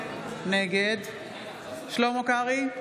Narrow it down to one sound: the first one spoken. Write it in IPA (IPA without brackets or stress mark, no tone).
n